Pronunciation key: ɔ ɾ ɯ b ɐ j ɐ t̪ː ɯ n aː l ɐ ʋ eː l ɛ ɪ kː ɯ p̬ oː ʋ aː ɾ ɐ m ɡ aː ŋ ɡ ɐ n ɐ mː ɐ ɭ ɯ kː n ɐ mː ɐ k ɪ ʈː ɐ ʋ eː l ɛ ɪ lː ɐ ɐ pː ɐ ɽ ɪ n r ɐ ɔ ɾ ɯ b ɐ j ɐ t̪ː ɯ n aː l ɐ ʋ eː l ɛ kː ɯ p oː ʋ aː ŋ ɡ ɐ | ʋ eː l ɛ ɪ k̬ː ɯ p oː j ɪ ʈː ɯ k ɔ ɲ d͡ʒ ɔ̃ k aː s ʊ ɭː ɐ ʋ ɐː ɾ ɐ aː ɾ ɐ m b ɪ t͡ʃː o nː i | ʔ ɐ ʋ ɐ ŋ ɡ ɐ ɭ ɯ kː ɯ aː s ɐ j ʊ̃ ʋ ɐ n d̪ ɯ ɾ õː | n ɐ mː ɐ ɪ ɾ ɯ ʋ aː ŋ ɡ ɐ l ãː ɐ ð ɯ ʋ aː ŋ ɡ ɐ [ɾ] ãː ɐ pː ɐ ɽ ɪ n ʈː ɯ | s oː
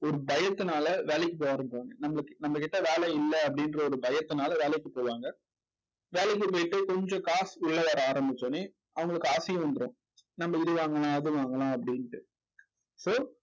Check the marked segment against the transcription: incorrect: l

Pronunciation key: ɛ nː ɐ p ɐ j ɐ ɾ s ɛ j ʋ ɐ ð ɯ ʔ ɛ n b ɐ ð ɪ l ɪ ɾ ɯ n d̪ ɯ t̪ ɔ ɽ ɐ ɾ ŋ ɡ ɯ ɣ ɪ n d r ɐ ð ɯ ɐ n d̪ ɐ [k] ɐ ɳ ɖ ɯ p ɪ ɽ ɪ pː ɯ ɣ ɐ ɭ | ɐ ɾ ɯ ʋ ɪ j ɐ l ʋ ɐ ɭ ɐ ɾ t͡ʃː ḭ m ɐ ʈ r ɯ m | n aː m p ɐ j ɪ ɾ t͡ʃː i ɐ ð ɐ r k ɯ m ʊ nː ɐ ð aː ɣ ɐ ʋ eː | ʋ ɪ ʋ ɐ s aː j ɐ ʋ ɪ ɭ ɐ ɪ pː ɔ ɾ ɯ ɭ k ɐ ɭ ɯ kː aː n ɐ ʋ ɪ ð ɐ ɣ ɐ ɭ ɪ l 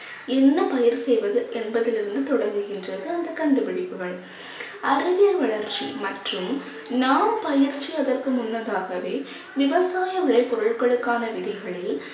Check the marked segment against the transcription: correct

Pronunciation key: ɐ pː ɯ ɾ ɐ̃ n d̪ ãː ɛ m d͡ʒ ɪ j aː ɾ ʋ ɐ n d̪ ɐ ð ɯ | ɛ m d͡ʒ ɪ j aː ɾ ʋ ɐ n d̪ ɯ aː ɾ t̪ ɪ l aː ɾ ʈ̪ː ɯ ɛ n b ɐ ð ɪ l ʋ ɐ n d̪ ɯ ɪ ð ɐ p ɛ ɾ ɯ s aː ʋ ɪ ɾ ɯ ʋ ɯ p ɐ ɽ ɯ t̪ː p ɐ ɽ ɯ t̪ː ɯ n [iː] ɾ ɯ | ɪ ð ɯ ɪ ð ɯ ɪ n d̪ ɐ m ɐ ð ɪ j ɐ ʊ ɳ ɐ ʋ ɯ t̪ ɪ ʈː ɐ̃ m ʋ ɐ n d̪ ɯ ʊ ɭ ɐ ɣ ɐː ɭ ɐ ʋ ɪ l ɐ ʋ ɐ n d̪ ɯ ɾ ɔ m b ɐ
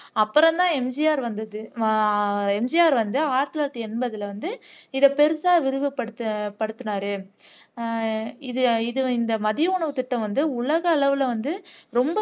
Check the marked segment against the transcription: incorrect: aː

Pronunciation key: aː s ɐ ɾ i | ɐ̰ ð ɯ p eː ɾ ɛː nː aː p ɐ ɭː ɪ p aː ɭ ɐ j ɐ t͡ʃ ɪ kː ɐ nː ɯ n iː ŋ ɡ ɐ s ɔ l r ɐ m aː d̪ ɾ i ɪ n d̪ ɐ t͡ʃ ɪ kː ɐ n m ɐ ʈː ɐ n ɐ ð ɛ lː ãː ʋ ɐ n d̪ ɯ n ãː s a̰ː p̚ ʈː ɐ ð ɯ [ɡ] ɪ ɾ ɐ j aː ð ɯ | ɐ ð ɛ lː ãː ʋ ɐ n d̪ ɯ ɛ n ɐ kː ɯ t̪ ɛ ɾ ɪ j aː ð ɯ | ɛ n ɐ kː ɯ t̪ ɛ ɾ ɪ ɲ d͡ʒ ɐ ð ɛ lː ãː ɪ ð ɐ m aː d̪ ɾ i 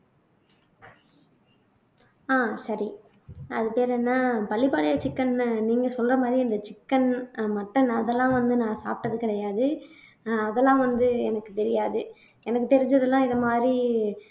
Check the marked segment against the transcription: incorrect: k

